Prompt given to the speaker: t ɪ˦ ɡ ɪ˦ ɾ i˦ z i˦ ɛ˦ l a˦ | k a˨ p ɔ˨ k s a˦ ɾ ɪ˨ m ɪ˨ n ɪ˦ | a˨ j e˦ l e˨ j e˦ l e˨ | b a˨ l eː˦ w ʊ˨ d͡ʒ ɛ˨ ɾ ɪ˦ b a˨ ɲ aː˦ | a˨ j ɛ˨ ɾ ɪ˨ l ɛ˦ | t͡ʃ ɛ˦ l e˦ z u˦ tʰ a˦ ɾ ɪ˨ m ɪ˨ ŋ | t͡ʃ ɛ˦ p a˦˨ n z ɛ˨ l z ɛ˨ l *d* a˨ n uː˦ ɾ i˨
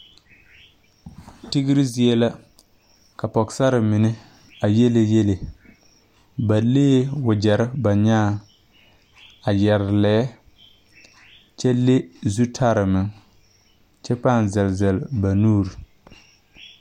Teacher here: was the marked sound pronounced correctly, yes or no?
no